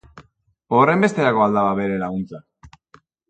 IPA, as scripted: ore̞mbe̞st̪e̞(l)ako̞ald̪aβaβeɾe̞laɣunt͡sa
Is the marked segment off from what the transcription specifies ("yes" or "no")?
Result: yes